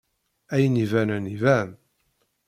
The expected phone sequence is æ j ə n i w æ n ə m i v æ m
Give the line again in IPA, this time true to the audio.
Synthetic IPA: æ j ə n i v æ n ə n i v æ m